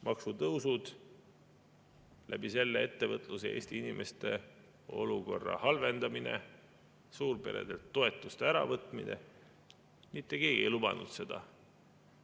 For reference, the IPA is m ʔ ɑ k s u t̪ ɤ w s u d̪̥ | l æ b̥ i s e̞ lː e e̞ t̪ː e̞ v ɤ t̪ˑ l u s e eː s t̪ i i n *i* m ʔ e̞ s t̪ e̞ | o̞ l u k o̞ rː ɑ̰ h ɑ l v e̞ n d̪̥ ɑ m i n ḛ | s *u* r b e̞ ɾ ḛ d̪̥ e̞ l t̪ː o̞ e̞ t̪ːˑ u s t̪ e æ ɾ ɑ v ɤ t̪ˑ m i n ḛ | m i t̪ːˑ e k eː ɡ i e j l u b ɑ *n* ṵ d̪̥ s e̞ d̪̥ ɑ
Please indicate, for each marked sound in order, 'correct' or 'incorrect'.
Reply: correct, incorrect: uː, correct

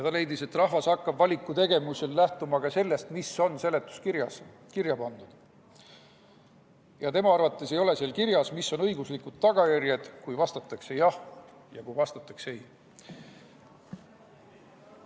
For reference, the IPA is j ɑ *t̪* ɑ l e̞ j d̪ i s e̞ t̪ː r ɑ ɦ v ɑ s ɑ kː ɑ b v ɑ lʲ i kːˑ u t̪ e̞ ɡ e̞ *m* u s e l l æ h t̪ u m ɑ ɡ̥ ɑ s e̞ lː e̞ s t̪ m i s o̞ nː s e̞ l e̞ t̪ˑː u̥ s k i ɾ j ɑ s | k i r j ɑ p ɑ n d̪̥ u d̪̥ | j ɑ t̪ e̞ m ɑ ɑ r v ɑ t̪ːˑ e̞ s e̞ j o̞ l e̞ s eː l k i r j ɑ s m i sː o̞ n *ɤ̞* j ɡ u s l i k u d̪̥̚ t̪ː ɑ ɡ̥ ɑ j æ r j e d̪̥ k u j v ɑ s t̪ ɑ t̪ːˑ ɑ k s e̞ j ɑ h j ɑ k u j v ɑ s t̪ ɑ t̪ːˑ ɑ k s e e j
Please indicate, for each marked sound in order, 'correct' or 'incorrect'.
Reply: correct, correct, correct

